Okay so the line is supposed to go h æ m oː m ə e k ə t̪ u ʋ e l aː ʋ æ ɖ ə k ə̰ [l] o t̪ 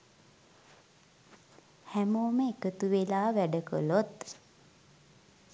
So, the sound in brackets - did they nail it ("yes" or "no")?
yes